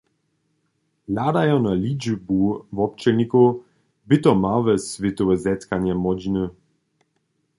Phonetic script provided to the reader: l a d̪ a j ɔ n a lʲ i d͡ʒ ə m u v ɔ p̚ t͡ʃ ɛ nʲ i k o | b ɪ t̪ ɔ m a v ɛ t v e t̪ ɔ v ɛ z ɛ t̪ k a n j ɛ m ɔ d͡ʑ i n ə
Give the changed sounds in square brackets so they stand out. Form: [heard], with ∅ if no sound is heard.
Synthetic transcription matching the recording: l a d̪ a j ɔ n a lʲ i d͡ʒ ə [b] u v ɔ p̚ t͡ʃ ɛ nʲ i k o | b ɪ t̪ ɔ m a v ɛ [s] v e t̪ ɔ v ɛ z ɛ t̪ k a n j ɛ m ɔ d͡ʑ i n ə